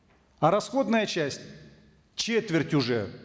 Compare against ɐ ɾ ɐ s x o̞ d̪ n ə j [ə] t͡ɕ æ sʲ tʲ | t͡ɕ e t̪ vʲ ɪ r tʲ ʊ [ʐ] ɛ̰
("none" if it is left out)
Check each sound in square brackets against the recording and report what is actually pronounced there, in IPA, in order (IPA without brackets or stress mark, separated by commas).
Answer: ə, ʐ